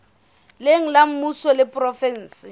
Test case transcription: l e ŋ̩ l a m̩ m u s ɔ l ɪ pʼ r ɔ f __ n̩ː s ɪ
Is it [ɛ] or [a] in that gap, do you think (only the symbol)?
ɛ